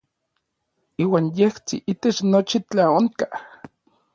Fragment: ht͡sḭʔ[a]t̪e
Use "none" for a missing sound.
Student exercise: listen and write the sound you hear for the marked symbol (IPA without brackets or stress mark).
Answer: i